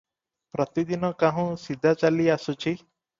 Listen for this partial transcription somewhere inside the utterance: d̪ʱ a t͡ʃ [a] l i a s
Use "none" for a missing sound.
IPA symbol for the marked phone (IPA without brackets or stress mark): a